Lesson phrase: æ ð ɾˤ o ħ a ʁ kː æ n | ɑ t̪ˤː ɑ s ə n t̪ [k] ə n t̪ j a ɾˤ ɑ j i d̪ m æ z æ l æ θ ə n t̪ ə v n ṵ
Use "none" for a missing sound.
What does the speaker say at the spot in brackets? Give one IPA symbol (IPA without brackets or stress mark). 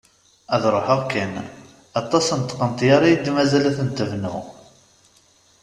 q